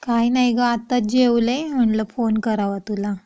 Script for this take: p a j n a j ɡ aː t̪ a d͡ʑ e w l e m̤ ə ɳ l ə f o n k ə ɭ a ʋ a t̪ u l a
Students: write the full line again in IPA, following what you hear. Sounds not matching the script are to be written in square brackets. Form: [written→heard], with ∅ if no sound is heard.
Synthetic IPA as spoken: [p→k] a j n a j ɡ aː t̪ a d͡ʑ e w l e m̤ ə ɳ l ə f o n k ə [ɭ→ɾ] a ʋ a t̪ u l a

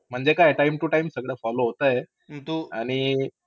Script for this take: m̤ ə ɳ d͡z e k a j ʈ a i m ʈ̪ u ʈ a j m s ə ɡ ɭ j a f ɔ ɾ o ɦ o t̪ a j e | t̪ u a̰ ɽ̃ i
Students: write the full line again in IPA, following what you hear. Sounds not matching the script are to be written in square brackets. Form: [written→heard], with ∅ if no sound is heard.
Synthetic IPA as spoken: m̤ ə ɳ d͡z e k a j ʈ a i m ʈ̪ u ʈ a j m s ə ɡ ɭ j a f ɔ [ɾ→l] o ɦ o t̪ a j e | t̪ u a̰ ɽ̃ i

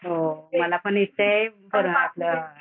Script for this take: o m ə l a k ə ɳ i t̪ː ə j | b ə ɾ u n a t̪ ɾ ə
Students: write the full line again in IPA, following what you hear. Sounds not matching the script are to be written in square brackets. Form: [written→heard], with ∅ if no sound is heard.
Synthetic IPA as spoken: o m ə l a [k→p] ə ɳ i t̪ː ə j | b ə ɾ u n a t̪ [ɾ→l] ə

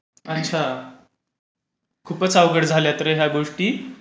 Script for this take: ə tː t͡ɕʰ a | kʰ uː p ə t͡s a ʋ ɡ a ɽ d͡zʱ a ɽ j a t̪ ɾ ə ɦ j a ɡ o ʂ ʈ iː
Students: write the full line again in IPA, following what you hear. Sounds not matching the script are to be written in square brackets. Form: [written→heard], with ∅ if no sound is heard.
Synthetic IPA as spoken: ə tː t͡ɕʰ a | kʰ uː p ə t͡s a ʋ ɡ [a→ə] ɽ d͡zʱ a [ɽ→l] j a t̪ ɾ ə ɦ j a ɡ o ʂ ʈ iː

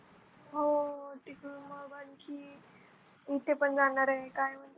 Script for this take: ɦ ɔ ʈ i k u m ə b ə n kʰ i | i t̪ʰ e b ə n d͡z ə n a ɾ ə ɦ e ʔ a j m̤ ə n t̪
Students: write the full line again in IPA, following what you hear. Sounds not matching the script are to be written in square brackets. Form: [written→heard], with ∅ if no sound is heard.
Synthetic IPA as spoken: ɦ [ɔ→o] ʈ i k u m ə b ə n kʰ i | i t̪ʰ e [b→p] ə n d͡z [ə→a] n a ɾ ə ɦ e [ʔ→k] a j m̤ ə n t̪

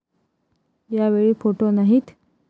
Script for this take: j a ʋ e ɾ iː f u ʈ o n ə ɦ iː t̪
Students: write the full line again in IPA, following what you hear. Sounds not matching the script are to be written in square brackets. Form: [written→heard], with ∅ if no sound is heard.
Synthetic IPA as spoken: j a ʋ e [ɾ→ɭ] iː f [u→o] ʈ o n [ə→a] ɦ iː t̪

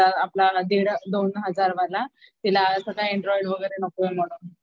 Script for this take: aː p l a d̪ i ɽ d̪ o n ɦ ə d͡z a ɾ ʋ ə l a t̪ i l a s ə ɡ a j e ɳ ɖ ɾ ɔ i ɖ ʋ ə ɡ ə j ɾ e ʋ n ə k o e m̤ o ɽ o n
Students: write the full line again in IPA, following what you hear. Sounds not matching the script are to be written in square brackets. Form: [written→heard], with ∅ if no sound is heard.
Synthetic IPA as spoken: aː p l a d̪ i ɽ d̪ o n ɦ ə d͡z a ɾ ʋ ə l a t̪ i l a s ə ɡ a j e ɳ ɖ ɾ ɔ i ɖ ʋ ə ɡ ə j ɾ e [ʋ→∅] n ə k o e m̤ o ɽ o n

